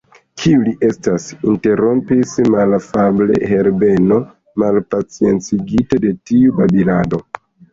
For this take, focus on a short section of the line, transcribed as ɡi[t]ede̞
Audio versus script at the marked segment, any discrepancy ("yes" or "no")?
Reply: no